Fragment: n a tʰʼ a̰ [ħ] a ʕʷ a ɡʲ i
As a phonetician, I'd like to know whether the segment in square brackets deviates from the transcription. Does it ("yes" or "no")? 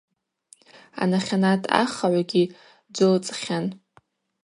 yes